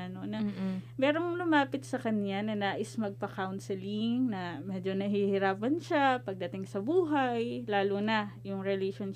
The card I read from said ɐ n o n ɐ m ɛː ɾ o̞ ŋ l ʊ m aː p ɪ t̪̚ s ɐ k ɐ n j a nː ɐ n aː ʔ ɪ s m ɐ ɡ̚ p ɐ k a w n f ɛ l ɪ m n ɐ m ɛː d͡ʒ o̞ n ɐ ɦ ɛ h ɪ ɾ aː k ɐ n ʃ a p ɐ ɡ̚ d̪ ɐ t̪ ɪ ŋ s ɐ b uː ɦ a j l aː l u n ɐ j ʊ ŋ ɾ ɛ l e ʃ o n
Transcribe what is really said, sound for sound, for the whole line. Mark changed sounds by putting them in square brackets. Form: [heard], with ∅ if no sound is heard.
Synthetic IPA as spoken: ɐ n o n ɐ m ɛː ɾ o̞ ŋ l ʊ m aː p ɪ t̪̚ s ɐ k ɐ n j a [n] ɐ n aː ʔ ɪ s m ɐ ɡ̚ p ɐ k a w n [s] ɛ l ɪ [ŋ] n ɐ m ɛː d͡ʒ o̞ n ɐ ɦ [i] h ɪ ɾ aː [p] ɐ n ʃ a p ɐ ɡ̚ d̪ ɐ t̪ ɪ ŋ s ɐ b uː ɦ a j l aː l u n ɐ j ʊ ŋ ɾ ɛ l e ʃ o n